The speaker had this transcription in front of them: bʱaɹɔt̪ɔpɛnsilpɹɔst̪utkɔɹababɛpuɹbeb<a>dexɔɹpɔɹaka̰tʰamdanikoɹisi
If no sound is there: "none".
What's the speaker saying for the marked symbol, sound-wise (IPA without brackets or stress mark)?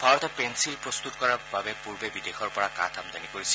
i